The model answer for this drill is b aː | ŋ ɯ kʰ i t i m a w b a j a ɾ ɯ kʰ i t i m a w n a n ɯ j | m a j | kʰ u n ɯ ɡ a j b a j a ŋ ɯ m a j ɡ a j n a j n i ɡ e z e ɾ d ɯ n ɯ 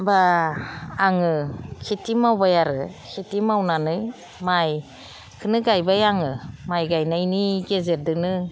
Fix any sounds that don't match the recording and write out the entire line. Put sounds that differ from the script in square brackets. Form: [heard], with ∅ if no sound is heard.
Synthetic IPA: b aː | ŋ ɯ kʰ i t i m a w b a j a ɾ ɯ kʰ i t i m a w n a n ɯ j | m a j | kʰ [ɯ] n ɯ ɡ a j b a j a ŋ ɯ m a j ɡ a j n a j n i ɡ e z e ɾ d ɯ n ɯ